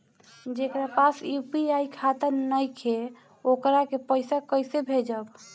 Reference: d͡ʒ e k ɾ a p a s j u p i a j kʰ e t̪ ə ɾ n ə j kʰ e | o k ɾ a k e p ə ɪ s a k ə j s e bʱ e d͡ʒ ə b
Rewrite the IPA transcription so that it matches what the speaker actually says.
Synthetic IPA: d͡ʒ e k ɾ a p a s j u p i a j kʰ a t̪ ə ɾ n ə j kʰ e | o k ɾ a k e p ə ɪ s a k ə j s e bʱ e d͡ʒ ə b